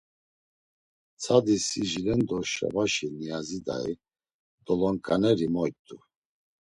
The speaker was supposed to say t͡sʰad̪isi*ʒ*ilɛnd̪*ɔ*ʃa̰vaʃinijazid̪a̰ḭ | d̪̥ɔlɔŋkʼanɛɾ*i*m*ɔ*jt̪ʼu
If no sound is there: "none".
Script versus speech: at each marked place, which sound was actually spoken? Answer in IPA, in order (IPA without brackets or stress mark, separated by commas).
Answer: ʒ, ɔ, i, ɔ